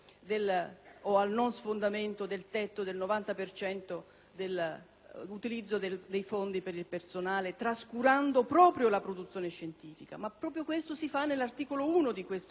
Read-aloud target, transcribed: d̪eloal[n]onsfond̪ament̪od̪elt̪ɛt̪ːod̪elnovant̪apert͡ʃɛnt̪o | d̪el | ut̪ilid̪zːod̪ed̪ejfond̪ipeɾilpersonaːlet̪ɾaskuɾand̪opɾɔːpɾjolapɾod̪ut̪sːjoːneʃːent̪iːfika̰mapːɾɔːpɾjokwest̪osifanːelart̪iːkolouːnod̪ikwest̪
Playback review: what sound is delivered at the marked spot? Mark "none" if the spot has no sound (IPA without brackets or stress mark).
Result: n